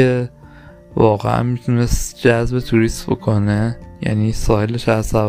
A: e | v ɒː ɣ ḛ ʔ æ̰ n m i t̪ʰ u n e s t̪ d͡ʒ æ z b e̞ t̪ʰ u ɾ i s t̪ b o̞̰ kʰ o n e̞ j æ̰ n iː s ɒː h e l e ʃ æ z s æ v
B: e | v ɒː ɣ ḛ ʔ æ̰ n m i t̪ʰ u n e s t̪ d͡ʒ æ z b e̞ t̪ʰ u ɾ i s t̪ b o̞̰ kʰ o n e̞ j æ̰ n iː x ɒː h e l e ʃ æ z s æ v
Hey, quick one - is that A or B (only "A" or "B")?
A